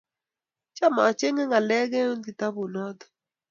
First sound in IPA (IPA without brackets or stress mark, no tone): t͡ʃ